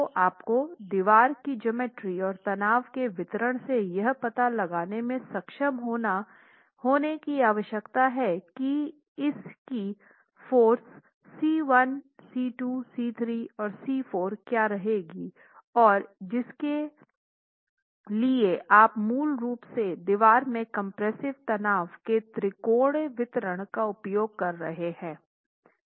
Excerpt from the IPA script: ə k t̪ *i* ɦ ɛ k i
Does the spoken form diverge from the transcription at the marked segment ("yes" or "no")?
yes